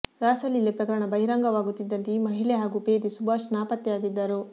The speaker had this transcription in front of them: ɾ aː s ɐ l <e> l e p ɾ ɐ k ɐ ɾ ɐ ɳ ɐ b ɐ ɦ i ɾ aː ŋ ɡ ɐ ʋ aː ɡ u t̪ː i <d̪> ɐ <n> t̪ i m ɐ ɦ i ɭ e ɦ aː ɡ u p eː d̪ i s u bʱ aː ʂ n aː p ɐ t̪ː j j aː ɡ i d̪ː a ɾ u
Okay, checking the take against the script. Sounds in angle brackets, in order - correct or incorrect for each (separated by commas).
incorrect, incorrect, correct